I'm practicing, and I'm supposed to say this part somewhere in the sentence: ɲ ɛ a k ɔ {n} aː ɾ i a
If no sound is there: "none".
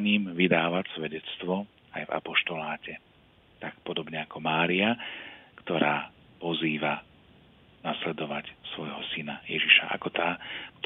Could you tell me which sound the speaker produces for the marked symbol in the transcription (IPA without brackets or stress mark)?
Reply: m